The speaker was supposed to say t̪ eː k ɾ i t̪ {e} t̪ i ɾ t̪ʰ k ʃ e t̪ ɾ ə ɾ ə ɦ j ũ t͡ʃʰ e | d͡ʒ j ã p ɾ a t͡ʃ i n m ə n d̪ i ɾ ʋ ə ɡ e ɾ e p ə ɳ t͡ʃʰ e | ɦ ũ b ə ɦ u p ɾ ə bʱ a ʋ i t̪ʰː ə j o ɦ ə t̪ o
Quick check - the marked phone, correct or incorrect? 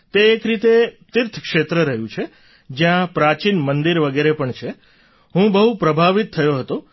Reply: correct